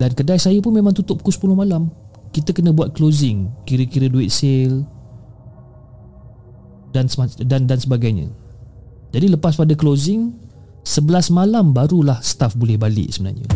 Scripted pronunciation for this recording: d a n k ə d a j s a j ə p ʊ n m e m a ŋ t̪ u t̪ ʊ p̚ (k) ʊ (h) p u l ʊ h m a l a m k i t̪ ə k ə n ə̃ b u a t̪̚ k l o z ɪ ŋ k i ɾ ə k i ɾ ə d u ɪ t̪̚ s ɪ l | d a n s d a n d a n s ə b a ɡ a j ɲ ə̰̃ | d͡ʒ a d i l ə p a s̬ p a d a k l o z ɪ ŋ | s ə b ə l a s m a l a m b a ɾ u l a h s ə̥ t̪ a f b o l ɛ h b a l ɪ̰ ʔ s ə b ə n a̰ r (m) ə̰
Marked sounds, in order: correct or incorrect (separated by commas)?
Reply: correct, incorrect, incorrect